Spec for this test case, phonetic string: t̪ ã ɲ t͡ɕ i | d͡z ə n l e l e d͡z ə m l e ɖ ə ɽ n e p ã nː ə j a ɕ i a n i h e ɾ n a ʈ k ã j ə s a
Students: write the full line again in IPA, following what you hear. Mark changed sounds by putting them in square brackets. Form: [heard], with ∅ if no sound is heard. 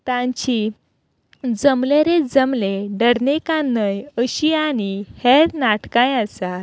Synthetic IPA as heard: t̪ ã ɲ t͡ɕ i | d͡z ə [m] l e [ɾ] e d͡z ə m l e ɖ ə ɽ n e [k] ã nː ə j [ə] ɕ i a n i h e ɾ n a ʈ k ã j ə s a

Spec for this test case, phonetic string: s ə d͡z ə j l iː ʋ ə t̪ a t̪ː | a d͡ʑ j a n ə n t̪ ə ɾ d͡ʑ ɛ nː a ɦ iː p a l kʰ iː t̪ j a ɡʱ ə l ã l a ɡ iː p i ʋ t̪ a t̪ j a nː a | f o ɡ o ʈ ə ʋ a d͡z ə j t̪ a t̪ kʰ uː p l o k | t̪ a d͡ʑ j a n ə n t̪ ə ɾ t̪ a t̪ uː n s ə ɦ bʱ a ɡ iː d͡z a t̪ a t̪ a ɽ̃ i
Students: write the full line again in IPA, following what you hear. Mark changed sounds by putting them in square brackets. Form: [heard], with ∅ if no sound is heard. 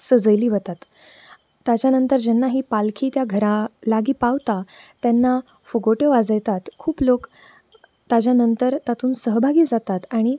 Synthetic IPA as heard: s ə d͡z ə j l iː ʋ ə t̪ a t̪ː | a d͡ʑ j a n ə n t̪ ə ɾ d͡ʑ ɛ nː a ɦ iː p a l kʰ iː t̪ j a ɡʱ ə [ɾ] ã l a ɡ iː p [a] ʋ t̪ a t̪ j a nː a | f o ɡ o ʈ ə ʋ a d͡z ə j t̪ a t̪ kʰ uː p l o k | t̪ a d͡ʑ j a n ə n t̪ ə ɾ t̪ a t̪ uː n s ə ɦ bʱ a ɡ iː d͡z a t̪ a t̪ a ɽ̃ i

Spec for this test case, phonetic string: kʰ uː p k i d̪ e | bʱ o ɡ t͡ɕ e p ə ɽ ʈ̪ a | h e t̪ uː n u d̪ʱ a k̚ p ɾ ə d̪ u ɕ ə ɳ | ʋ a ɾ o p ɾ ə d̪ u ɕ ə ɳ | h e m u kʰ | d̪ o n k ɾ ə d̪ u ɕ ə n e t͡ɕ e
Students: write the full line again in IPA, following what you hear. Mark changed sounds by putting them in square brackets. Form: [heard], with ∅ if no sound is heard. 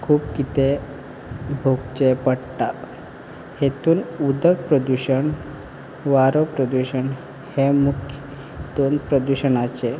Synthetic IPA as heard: kʰ uː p k i [t̪] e | bʱ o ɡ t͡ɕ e p ə ɽ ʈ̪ a | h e t̪ uː n u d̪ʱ [ə] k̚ p ɾ ə d̪ u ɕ ə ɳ | ʋ a ɾ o p ɾ ə d̪ u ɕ ə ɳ | h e m u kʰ | d̪ o n [p] ɾ ə d̪ u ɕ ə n [a] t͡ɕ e

